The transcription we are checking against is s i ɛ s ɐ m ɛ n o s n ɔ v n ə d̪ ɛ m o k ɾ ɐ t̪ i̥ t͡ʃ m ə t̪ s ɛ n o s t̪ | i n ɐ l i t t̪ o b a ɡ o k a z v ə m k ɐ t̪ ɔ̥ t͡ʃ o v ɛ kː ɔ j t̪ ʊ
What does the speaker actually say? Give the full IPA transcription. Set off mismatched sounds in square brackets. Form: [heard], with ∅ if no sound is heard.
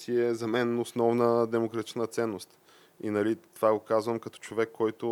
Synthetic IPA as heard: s i ɛ [z] ɐ m ɛ n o s n ɔ v n ə d̪ ɛ m o k ɾ ɐ t̪ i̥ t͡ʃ [n] ə t̪ s ɛ [nː] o s t̪ | i n ɐ l i t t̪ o [v] a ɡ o k a z v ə m k ɐ t̪ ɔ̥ t͡ʃ o v ɛ kː ɔ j t̪ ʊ